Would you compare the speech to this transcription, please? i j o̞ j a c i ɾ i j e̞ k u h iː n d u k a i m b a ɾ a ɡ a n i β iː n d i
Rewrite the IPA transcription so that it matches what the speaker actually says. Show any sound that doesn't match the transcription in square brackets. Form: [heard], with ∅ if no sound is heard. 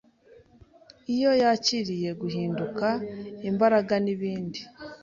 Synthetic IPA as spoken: i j o̞ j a c i ɾ i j e̞ [ɡ] u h iː n d u k a i m b a ɾ a ɡ a n i β iː n d i